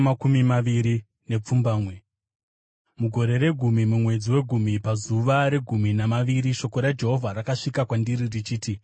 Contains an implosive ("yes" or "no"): no